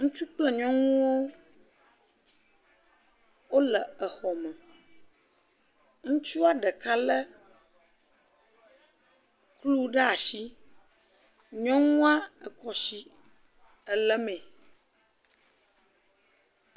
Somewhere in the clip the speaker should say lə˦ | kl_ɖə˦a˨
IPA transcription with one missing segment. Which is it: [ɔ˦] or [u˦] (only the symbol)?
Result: u˦